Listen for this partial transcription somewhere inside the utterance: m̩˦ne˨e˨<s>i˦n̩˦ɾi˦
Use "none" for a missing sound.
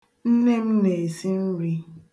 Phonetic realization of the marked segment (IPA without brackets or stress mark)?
s